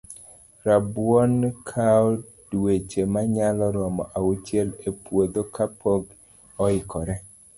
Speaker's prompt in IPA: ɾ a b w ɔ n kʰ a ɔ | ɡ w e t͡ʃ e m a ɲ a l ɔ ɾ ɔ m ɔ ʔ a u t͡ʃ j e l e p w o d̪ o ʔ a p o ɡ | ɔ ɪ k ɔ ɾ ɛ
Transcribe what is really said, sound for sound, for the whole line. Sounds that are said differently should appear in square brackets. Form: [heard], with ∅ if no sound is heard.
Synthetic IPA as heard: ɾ a b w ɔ n kʰ a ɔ | [d] w e t͡ʃ e m a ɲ a l ɔ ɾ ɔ m ɔ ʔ a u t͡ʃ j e l e p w o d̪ o [k] a p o ɡ | ɔ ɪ k ɔ ɾ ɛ